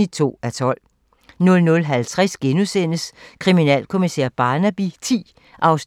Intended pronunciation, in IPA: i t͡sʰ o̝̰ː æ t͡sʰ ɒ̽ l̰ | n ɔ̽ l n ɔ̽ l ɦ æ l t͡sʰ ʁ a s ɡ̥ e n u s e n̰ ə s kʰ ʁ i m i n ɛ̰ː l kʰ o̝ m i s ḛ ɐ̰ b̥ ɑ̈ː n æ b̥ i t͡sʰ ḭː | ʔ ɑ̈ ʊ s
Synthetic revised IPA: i t͡sʰ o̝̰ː æ t͡sʰ ɒ̽ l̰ | n ɔ̽ l n ɔ̽ l ɦ æ l t͡sʰ ʁ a s ɡ̥ e n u s e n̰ ə s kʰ ʁ i m i n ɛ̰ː l kʰ o̝ m i s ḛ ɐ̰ b̥ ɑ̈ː n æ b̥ i t͡sʰ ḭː | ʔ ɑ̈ ʊ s